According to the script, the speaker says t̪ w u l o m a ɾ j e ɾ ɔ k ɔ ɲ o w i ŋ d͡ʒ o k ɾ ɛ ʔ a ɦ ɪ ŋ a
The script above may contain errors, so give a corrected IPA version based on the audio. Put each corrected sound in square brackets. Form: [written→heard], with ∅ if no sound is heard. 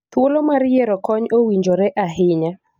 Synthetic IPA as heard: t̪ w [u→o] l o m a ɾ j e ɾ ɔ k ɔ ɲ o w i [ŋ→ɲ] d͡ʒ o [k→∅] ɾ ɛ ʔ a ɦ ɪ [ŋ→ɲ] a